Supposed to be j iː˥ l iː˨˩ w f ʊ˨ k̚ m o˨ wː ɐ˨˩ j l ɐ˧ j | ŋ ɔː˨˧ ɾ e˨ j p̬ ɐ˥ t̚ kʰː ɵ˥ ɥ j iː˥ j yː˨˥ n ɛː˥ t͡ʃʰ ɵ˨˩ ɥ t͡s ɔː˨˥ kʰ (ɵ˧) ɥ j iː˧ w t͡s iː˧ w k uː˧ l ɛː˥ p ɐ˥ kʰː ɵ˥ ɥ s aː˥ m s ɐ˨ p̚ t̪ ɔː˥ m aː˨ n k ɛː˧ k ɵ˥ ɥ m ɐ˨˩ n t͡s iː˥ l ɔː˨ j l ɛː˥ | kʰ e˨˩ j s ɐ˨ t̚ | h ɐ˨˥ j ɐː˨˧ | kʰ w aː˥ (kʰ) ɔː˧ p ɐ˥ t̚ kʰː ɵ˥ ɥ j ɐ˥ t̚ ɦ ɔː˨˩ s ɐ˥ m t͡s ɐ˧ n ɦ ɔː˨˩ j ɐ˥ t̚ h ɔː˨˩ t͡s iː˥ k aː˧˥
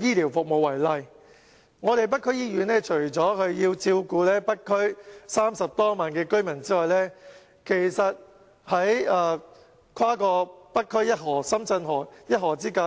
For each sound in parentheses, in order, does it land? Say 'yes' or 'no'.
yes, no

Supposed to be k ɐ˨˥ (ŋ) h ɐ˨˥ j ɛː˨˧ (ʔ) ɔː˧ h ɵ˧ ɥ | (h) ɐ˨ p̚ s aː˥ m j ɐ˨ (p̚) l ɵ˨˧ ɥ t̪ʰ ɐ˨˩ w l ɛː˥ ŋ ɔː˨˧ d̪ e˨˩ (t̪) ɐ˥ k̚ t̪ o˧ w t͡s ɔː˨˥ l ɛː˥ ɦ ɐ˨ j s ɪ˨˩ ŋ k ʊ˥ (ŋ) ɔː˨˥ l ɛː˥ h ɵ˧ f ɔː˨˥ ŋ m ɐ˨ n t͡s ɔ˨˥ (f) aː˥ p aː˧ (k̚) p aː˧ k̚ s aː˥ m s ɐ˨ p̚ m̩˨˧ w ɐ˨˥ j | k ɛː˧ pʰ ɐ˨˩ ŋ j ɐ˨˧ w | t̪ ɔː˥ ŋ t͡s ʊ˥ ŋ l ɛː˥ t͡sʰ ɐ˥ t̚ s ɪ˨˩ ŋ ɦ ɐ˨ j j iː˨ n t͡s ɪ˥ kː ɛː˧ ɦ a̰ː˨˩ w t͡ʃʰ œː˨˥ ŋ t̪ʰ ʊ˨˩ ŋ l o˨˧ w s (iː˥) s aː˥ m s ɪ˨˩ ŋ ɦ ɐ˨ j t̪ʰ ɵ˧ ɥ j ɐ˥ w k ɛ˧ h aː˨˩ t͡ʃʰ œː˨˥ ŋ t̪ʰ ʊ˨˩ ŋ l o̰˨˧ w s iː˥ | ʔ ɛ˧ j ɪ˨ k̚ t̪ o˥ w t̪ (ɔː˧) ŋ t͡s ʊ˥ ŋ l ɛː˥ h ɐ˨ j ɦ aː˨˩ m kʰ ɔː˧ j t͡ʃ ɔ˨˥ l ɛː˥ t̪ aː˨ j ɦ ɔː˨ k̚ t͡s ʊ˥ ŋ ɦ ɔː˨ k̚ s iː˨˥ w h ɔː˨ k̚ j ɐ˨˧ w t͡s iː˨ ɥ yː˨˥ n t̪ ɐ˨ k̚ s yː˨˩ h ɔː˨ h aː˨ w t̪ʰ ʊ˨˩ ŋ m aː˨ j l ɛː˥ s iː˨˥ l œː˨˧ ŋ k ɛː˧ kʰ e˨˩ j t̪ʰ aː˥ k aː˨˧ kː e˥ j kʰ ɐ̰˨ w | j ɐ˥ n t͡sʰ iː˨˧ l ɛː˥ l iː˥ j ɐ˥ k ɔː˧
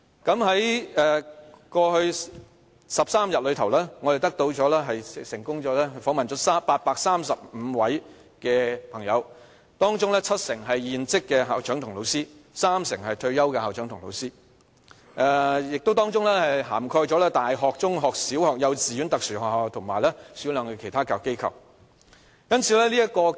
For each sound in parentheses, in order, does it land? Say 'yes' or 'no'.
no, no, no, no, yes, yes, no, no, yes, no

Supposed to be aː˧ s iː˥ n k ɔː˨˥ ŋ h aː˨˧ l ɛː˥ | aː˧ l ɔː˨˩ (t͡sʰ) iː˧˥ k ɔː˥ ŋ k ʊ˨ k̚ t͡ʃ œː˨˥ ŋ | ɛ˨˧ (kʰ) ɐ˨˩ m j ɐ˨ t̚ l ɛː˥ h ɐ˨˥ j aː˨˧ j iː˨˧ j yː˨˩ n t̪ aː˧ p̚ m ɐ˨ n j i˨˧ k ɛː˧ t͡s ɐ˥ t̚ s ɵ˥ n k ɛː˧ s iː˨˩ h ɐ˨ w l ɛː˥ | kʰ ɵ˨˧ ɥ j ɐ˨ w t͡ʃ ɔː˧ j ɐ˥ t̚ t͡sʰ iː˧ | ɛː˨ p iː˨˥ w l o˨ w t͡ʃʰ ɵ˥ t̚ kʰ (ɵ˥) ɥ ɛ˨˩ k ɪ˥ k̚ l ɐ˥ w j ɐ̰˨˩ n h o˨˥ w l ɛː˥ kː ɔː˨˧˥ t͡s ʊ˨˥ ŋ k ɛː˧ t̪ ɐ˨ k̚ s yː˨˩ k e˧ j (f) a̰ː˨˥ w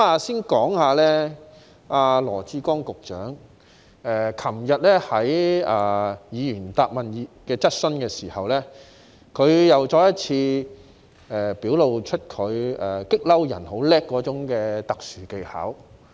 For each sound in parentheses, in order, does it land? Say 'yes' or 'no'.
no, yes, no, no

